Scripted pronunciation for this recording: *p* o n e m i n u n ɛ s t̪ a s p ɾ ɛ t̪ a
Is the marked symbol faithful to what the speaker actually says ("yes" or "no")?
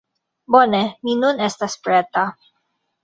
no